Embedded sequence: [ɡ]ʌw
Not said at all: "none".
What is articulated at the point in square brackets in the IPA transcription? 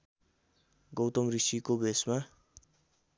ɡ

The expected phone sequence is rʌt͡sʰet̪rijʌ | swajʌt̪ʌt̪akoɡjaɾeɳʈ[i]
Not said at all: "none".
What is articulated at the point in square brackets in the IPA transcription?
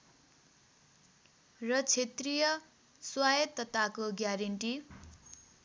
i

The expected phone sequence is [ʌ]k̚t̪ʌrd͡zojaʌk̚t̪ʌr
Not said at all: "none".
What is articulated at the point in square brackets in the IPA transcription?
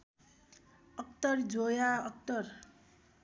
ʌ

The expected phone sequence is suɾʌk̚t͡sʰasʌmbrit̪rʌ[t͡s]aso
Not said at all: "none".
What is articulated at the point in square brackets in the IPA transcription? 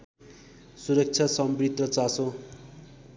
t͡s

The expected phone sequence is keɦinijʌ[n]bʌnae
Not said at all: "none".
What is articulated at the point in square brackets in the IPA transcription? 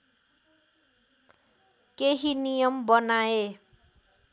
m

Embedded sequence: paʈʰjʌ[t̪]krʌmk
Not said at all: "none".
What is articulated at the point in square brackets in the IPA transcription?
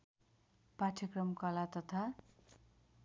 none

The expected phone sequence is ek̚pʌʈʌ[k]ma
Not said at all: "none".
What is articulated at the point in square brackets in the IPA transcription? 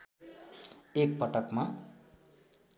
k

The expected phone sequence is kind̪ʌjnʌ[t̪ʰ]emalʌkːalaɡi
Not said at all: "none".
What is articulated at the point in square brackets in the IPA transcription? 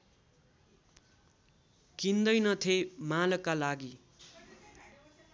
t̪ʰ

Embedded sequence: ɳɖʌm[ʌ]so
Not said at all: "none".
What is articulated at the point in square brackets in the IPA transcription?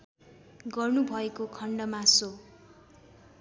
a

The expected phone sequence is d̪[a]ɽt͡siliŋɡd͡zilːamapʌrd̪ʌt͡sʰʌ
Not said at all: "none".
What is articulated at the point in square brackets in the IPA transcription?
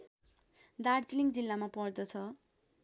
a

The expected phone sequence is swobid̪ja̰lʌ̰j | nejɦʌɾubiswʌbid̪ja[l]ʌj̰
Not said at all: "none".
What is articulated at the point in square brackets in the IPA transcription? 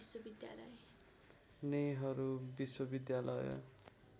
l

